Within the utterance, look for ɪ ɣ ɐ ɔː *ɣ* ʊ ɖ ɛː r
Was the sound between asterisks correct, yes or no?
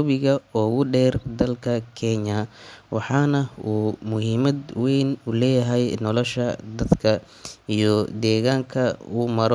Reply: yes